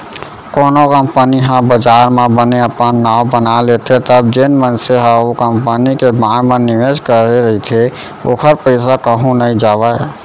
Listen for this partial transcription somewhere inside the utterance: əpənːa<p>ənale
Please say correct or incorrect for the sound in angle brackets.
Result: incorrect